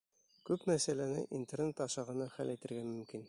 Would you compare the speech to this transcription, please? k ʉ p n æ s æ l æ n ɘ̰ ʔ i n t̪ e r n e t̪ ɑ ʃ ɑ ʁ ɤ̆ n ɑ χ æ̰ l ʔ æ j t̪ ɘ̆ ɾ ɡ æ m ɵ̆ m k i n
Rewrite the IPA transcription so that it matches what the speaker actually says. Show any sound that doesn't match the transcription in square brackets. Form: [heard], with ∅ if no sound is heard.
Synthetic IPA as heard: k ʉ p [m] æ s æ l æ n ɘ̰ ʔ i n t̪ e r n e t̪ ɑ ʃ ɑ ʁ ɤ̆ n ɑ χ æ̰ l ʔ æ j t̪ ɘ̆ ɾ ɡ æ m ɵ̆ m k i n

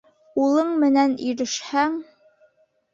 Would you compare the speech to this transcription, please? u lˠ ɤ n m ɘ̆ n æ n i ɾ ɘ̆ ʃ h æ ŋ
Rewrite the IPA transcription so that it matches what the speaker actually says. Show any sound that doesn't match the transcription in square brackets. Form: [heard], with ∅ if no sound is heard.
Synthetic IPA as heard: u lˠ ɤ [ɴ] m ɘ̆ n æ n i ɾ ɘ̆ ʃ h æ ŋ

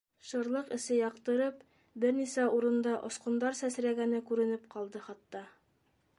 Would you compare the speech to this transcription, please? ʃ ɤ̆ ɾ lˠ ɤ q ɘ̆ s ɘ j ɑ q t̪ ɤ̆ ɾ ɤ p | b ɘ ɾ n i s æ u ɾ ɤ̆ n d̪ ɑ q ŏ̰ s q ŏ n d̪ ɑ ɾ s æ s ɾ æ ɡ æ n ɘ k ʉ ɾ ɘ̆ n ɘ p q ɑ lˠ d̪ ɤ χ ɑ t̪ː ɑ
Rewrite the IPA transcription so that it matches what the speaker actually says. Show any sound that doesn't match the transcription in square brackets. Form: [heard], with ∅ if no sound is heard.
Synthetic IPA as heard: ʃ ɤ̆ ɾ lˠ ɤ q ɘ̆ s ɘ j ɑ q t̪ ɤ̆ ɾ ɤ p | b ɘ ɾ n i s æ u ɾ ɤ̆ n d̪ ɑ [ʔ] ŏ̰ s q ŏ n d̪ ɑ ɾ s æ s ɾ æ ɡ æ n ɘ k ʉ ɾ ɘ̆ n ɘ p q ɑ lˠ d̪ ɤ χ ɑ t̪ː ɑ

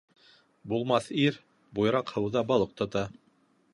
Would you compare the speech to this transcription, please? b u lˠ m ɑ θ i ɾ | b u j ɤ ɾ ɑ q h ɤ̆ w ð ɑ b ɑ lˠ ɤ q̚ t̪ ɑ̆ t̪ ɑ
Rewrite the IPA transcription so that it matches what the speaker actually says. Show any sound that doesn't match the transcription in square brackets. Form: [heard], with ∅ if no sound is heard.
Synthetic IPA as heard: b u lˠ m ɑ θ i ɾ | b u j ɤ ɾ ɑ q h ɤ̆ w ð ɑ b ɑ lˠ ɤ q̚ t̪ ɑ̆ t̪ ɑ

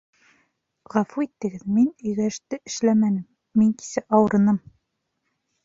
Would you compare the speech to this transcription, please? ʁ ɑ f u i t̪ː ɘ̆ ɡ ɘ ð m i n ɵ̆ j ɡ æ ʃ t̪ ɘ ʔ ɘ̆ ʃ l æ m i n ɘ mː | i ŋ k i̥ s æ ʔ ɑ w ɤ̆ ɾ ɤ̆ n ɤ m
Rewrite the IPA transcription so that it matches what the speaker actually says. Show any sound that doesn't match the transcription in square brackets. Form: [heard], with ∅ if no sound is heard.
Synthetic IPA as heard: ʁ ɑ f u i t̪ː ɘ̆ ɡ ɘ ð m i n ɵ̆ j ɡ æ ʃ t̪ ɘ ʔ ɘ̆ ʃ l æ m [æ] n ɘ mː | i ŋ k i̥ s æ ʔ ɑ w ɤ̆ ɾ ɤ̆ n ɤ m

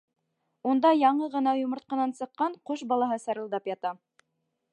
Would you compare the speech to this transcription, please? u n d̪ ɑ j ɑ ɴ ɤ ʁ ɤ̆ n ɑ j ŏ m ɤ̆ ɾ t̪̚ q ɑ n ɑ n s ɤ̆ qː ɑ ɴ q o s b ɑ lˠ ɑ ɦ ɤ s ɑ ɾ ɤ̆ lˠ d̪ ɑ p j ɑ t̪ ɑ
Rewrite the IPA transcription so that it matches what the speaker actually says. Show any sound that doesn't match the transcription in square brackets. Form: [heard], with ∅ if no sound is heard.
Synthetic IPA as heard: u n d̪ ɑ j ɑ ɴ ɤ ʁ ɤ̆ n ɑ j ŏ m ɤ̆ ɾ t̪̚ q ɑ n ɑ n s ɤ̆ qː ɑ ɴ q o [ʃ] b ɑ lˠ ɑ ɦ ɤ s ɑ ɾ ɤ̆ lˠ d̪ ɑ p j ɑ t̪ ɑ

